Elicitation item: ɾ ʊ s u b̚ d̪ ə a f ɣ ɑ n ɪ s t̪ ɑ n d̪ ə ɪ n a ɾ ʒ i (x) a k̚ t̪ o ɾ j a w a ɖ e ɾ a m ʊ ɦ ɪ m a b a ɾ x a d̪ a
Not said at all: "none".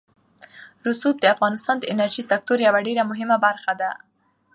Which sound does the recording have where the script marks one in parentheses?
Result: s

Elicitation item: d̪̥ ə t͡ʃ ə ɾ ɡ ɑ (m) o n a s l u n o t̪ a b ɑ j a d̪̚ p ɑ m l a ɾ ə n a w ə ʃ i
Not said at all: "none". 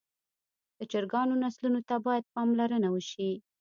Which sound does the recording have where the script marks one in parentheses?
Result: n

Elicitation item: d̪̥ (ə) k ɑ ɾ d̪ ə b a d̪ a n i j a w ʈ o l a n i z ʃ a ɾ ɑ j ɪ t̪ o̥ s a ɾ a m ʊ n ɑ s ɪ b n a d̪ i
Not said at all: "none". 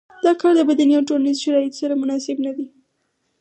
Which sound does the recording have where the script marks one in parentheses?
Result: ɑ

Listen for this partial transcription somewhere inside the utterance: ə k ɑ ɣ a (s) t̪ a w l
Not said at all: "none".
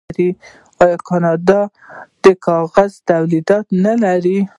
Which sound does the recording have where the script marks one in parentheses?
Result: z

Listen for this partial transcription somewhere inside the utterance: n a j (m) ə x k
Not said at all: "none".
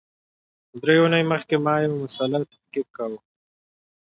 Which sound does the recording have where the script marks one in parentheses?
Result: m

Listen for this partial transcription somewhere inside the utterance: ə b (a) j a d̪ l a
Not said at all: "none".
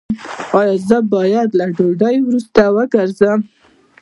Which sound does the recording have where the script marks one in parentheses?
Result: ɑ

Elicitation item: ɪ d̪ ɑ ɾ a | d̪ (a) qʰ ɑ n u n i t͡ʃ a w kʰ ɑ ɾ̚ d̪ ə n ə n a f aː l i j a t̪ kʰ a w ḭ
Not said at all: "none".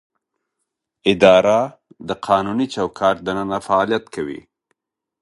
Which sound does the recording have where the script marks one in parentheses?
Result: ə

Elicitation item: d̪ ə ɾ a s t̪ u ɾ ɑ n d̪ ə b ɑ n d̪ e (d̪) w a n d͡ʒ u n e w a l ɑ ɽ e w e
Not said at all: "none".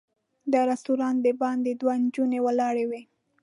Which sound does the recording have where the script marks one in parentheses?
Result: d̪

